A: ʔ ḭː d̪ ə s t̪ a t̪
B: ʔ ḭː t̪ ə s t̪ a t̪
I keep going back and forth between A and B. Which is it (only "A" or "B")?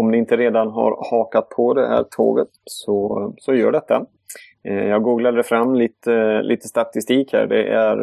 B